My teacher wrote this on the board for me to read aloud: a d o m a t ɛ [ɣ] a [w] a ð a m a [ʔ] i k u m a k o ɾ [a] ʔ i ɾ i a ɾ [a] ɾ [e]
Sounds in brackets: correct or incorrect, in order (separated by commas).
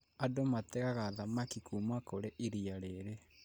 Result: correct, incorrect, incorrect, incorrect, incorrect, correct